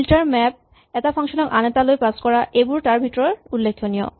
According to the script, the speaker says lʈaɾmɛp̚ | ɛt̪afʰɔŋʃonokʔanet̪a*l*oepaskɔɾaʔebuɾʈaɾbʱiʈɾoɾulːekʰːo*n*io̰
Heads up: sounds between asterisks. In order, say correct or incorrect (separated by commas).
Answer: correct, correct